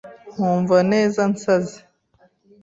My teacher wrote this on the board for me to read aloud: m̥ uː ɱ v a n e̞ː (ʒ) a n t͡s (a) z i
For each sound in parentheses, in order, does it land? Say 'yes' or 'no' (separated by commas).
no, yes